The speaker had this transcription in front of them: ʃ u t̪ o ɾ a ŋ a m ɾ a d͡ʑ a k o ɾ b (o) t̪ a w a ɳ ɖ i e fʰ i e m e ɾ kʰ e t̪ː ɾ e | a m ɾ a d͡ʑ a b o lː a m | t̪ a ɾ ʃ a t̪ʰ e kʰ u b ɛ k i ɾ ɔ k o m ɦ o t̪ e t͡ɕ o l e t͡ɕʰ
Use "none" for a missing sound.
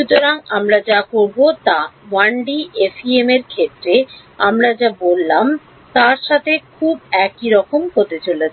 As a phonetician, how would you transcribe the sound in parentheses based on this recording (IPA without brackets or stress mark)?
o